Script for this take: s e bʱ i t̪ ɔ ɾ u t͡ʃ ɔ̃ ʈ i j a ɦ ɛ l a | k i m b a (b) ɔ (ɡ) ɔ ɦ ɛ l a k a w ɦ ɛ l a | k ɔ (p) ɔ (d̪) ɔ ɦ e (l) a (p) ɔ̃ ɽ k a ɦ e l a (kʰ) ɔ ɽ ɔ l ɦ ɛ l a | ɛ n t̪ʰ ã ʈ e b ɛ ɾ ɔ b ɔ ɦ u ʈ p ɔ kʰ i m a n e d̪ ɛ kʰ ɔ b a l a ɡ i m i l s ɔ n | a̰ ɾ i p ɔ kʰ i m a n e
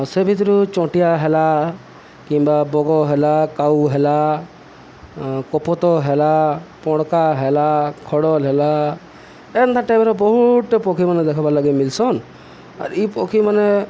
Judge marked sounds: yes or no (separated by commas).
yes, yes, yes, no, yes, yes, yes